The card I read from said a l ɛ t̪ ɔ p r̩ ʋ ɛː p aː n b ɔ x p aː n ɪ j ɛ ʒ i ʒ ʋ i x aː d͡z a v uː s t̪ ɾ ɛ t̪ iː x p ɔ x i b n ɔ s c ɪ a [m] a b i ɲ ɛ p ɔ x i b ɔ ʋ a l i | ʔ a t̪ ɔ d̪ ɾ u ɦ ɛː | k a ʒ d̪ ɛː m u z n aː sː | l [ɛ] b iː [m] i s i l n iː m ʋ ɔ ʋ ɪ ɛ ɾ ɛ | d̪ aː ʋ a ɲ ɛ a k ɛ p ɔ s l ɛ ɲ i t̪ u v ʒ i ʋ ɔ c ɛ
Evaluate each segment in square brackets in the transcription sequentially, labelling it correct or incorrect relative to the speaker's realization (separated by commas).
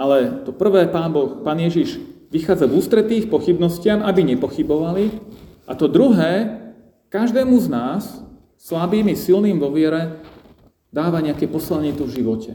correct, incorrect, correct